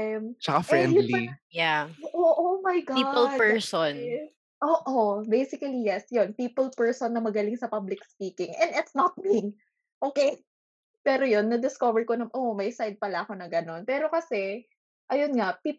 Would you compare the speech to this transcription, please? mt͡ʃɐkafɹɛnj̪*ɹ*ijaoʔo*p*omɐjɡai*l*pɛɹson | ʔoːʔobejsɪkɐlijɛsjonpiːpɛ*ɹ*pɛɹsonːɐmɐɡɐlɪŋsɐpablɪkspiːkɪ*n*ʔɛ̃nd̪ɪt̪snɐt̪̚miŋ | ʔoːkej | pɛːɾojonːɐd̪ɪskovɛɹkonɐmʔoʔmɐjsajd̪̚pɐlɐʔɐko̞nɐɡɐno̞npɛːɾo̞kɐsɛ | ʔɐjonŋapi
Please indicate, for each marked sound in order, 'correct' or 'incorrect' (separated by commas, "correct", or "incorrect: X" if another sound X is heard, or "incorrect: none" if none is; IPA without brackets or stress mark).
incorrect: l, incorrect: ʔ, correct, incorrect: l, incorrect: ŋ